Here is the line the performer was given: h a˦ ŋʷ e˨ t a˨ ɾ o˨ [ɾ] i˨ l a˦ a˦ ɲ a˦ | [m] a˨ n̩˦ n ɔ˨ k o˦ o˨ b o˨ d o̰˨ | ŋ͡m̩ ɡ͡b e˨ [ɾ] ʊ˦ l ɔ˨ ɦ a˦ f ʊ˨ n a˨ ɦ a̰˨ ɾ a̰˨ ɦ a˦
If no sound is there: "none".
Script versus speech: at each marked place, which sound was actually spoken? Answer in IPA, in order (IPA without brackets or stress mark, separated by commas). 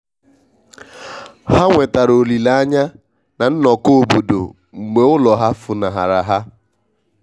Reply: l, n, none